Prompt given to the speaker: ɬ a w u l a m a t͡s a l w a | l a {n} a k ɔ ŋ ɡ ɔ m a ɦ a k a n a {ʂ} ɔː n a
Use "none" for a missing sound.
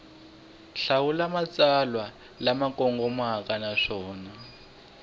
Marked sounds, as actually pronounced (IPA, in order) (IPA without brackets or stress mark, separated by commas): m, ʂ